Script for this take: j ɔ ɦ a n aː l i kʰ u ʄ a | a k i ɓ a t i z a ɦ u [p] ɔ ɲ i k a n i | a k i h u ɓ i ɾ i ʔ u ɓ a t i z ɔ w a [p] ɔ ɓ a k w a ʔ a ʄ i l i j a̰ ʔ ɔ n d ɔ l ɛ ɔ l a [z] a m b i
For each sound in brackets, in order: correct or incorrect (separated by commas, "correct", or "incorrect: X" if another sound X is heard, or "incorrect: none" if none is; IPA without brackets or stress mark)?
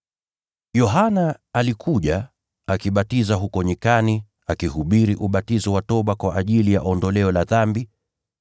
incorrect: k, incorrect: t, incorrect: ð